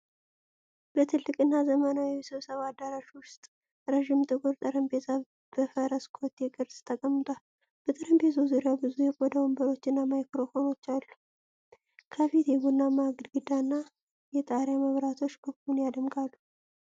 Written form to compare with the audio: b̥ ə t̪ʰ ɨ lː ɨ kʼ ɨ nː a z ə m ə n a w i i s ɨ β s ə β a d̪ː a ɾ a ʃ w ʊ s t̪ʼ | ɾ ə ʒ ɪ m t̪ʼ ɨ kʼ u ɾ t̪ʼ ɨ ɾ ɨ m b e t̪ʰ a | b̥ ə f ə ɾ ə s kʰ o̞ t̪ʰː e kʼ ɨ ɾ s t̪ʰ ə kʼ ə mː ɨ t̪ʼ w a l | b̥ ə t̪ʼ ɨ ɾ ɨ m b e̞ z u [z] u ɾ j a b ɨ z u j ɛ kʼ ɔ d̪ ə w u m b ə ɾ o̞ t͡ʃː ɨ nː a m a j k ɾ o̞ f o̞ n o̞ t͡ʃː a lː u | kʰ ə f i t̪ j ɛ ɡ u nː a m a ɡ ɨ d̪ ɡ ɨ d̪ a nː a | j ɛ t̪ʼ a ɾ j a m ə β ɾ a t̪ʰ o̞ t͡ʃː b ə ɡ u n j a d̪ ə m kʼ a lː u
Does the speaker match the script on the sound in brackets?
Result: yes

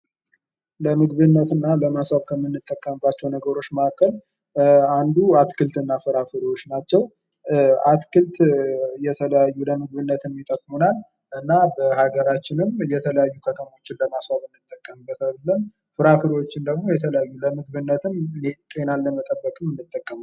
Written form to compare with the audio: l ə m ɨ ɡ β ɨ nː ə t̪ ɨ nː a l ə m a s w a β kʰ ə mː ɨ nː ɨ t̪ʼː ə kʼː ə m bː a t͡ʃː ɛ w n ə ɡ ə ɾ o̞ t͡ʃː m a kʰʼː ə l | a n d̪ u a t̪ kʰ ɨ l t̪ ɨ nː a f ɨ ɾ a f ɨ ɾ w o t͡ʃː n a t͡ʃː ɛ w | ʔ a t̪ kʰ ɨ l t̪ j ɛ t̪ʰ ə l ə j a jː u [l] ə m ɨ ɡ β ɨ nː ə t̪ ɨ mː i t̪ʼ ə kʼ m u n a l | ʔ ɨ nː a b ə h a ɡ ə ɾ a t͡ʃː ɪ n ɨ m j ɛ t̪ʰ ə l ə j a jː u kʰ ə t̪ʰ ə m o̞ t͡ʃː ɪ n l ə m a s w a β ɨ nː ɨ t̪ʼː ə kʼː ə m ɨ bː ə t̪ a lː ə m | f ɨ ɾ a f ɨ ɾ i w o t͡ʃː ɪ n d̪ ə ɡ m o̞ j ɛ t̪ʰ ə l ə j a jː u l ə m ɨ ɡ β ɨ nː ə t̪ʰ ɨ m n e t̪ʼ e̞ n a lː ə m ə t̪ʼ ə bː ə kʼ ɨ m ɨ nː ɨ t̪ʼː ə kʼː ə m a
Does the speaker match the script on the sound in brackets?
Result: yes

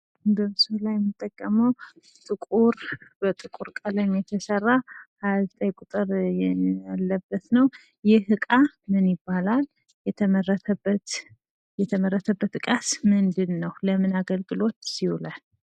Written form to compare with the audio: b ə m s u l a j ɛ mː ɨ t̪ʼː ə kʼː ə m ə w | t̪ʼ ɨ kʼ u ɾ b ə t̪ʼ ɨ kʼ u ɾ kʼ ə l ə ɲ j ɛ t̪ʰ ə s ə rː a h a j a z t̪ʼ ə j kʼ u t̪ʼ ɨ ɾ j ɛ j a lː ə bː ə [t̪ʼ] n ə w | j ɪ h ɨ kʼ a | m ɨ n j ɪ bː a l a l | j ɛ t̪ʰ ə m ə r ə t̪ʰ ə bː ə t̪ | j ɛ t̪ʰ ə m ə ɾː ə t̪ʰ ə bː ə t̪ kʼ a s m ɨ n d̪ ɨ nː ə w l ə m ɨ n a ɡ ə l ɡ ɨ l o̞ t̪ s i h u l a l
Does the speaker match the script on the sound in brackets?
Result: no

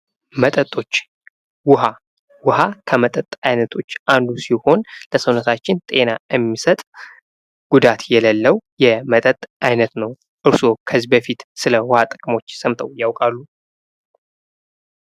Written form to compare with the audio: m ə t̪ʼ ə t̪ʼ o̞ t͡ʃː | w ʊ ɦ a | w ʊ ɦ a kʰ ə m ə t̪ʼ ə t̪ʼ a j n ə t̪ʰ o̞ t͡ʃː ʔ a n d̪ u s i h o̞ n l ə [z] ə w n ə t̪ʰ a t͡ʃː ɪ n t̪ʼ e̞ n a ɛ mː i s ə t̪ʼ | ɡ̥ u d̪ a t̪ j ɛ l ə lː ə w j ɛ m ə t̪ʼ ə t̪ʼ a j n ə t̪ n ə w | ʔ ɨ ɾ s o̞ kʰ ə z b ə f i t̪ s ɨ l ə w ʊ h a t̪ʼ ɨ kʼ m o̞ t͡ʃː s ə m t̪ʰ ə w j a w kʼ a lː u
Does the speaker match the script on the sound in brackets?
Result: no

